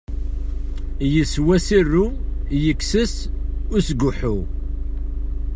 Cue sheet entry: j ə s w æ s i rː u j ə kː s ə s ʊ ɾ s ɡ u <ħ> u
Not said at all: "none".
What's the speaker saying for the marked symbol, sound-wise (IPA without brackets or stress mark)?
ħ